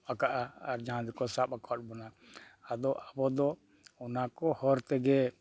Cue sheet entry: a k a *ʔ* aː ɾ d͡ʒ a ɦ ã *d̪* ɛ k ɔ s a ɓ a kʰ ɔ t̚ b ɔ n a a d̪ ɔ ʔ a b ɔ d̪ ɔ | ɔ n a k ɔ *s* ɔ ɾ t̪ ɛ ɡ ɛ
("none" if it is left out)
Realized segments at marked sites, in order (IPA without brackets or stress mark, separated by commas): ʔ, d̪, h